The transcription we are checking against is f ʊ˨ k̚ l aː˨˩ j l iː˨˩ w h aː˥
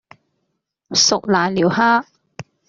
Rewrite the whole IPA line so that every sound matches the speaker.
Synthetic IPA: s ʊ˨ k̚ l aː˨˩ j l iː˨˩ w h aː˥